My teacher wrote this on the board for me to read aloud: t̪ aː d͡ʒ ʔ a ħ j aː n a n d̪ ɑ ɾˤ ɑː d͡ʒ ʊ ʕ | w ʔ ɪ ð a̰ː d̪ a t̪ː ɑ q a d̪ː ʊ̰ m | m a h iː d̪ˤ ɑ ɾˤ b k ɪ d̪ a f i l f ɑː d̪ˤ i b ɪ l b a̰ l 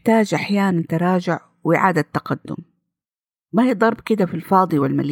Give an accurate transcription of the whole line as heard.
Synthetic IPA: t̪ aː d͡ʒ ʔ a ħ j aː n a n t̪ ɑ ɾˤ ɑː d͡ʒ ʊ ʕ | w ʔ ɪ ʕ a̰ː d̪ a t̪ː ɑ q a d̪ː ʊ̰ m | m a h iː d̪ˤ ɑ ɾˤ b k ɪ d̪ a f i l f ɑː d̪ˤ i w ɪ l m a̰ l